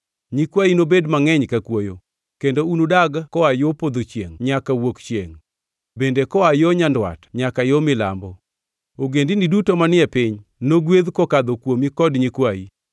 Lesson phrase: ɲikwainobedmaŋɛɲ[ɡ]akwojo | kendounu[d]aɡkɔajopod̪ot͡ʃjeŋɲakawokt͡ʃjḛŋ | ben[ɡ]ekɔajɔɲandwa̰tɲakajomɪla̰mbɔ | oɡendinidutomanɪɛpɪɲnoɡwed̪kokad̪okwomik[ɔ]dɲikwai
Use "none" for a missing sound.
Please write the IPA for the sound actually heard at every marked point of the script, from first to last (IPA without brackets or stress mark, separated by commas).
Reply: k, d, d, ɔ